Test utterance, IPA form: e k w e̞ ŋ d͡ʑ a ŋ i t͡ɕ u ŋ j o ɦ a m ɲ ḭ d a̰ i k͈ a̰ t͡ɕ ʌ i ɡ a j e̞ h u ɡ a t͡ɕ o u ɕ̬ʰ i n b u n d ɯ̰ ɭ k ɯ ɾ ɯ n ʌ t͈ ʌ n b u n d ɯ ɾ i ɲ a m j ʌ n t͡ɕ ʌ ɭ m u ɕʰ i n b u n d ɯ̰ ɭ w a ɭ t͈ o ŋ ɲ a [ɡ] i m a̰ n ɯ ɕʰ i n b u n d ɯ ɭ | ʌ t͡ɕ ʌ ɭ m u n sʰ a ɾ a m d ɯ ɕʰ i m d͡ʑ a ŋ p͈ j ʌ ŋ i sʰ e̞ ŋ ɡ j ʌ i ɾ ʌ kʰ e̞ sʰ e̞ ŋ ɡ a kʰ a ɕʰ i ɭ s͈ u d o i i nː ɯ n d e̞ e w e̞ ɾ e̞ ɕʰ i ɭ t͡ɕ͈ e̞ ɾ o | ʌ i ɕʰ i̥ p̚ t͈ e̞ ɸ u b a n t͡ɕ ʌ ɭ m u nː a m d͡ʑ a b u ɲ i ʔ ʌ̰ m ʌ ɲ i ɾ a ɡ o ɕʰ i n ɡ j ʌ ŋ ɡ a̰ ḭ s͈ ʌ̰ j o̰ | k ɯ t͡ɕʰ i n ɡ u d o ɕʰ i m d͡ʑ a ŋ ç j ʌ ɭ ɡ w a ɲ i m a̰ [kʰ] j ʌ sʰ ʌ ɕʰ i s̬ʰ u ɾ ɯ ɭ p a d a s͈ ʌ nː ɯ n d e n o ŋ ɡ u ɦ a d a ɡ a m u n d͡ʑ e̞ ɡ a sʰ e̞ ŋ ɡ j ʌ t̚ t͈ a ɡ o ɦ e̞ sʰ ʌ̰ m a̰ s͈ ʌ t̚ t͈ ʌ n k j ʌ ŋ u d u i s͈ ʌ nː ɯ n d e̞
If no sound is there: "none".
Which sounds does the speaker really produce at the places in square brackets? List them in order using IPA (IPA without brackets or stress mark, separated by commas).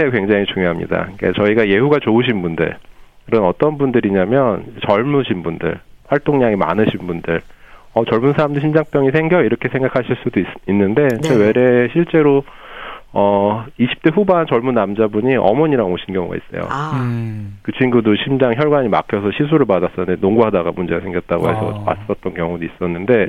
ŋ, kʰ